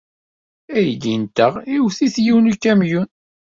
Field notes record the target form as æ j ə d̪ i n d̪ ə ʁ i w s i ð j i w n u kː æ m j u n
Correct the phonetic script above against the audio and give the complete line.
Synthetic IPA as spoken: æ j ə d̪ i n t̪ ə ʁ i w θ i θ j i w n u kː æ m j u n